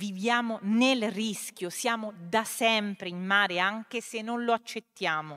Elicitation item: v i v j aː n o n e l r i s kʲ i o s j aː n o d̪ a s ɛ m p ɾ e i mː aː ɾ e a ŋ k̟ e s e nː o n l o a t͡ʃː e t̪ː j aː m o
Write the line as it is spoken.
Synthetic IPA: v i v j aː m o n e l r i s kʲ j o s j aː m o d̪ a s ɛ m p ɾ e i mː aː ɾ e a ŋ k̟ e s e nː o n l o a t͡ʃː e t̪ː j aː m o